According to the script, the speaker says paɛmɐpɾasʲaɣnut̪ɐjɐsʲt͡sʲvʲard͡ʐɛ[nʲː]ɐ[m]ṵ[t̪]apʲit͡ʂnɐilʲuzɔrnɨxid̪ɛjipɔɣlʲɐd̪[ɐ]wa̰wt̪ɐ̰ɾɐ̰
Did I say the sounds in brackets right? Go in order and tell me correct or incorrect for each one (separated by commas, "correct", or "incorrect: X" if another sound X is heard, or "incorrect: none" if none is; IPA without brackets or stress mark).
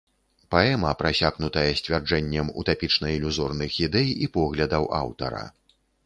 correct, correct, correct, correct